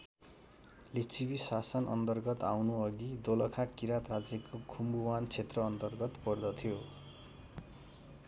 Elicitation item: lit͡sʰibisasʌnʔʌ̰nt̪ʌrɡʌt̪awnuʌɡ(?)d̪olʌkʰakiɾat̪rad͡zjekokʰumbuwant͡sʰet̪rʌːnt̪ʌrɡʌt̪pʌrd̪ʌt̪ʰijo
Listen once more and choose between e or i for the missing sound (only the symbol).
i